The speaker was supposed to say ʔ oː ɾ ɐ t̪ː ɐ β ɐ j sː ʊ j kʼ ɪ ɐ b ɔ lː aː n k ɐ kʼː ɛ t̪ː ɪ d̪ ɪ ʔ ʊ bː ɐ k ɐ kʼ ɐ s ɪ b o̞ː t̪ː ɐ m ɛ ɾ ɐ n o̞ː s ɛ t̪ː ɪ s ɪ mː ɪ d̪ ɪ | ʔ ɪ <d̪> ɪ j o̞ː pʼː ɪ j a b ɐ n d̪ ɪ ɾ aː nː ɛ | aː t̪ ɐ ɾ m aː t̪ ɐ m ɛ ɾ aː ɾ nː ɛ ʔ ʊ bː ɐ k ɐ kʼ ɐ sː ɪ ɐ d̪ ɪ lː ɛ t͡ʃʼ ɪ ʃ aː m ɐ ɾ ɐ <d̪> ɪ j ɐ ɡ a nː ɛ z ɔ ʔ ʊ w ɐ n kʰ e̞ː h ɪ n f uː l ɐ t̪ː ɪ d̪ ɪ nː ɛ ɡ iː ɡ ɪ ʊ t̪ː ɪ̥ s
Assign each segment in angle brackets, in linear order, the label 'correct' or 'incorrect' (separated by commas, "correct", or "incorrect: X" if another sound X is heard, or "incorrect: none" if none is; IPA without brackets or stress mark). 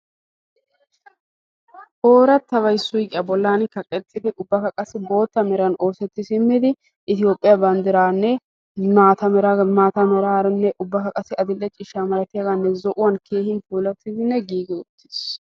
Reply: incorrect: t̪, incorrect: t̪